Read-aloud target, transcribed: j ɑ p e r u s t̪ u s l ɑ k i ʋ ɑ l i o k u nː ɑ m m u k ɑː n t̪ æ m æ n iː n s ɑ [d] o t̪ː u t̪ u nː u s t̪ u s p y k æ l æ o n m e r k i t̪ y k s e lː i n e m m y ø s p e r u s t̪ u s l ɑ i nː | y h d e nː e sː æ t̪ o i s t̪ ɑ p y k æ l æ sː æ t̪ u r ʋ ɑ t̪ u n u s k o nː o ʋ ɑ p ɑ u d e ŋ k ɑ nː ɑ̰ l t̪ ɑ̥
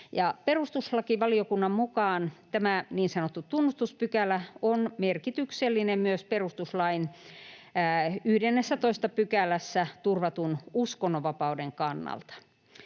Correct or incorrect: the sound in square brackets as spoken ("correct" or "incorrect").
incorrect